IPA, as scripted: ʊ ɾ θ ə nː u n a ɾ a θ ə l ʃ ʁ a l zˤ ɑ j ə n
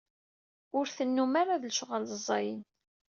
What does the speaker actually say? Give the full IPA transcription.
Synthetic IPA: ʊ ɾ θ ə nː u m a ɾ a ð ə l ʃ ʁ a l zˤ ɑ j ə n